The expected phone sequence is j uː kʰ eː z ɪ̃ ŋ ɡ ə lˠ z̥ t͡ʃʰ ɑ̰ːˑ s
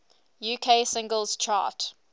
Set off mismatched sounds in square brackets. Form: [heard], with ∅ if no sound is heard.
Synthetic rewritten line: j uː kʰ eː [s] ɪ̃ ŋ ɡ ə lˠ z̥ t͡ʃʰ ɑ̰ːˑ [t]